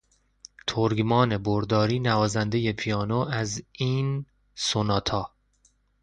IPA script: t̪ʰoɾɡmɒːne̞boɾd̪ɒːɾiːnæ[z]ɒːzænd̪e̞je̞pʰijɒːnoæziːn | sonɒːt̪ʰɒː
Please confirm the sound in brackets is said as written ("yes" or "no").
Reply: no